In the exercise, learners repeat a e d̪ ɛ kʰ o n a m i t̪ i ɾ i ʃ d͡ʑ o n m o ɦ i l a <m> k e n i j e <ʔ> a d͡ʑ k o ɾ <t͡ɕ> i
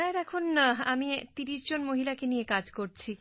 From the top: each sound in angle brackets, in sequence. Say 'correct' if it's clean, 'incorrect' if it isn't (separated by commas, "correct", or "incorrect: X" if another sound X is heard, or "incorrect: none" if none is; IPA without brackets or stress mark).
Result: incorrect: none, incorrect: k, incorrect: t͡ɕʰ